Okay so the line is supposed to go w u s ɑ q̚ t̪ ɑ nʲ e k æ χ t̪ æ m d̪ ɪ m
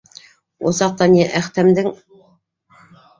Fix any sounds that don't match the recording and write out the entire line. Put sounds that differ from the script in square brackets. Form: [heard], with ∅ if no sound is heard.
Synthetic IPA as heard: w [o] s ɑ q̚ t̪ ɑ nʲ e [ʔ] æ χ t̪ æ m d̪ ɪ [ŋ]